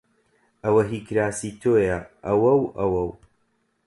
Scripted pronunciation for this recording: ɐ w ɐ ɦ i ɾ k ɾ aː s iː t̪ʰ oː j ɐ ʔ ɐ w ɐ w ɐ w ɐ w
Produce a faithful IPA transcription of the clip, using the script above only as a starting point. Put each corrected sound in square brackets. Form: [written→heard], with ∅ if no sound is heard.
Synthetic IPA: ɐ w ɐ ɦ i [ɾ→∅] k ɾ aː s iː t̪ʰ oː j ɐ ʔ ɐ w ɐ w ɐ w ɐ w